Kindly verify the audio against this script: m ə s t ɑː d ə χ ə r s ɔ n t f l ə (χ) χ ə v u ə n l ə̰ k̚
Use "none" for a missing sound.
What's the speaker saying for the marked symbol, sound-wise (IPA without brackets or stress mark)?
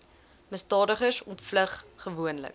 χ